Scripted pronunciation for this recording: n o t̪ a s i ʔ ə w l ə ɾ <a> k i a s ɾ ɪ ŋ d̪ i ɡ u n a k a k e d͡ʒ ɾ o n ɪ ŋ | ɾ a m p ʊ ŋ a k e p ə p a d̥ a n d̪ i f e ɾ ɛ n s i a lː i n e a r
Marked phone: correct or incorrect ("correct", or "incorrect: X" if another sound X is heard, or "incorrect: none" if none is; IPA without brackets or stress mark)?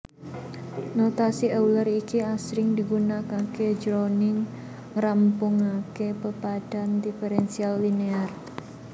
incorrect: i